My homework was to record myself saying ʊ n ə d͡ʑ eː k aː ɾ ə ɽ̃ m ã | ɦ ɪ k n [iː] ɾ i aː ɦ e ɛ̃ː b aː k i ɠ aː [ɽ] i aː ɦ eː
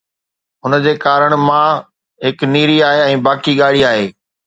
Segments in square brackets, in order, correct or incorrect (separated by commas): correct, correct